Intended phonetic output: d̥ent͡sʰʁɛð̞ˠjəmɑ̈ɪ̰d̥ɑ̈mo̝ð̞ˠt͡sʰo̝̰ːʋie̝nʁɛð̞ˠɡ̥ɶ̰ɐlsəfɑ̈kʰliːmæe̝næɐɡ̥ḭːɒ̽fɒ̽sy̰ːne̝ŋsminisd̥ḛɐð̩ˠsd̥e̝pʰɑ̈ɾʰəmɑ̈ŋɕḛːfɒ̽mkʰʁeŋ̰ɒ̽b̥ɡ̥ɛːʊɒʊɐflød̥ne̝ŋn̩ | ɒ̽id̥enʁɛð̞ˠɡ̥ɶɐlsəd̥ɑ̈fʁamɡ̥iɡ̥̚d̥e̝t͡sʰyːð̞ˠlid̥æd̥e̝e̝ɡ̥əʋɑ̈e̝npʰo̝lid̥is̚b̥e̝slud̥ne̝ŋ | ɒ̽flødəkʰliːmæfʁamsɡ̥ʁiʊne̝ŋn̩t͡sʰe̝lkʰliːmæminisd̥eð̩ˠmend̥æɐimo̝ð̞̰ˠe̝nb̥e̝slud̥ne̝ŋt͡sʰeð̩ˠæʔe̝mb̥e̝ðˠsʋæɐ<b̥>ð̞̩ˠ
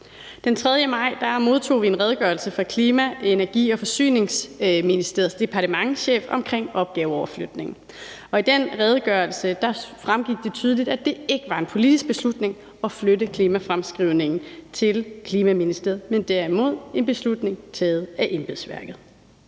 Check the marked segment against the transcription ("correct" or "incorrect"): incorrect